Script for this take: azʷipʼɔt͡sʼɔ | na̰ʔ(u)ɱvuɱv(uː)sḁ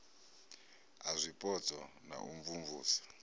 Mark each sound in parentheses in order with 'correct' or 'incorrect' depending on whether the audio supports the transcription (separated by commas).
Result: correct, correct